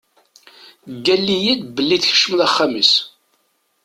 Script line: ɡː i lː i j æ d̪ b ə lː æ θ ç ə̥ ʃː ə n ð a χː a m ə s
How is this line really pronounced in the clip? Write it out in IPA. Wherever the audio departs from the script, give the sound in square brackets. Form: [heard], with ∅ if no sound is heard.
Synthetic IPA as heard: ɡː [æ] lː i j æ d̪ b ə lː [i] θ ç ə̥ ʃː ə [m] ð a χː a m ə s